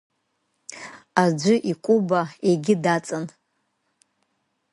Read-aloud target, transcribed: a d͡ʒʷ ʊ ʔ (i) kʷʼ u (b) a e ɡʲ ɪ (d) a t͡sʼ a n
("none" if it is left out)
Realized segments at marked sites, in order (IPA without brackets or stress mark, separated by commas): i, b, d